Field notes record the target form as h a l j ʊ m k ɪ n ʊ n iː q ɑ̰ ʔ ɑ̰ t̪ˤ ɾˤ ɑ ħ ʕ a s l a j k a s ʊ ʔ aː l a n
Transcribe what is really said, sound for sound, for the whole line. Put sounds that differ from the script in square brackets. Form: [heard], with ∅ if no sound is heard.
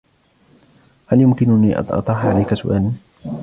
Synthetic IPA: h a l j ʊ m k ɪ n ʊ n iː [ʔ] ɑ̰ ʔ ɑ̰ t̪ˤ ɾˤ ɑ ħ ʕ a [∅] l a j k a s ʊ ʔ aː l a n